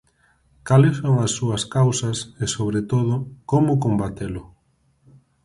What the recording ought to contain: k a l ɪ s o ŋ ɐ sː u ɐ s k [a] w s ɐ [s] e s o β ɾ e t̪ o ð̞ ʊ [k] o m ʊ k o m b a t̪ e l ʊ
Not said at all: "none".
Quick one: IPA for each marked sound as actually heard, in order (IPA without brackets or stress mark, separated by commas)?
a, s, k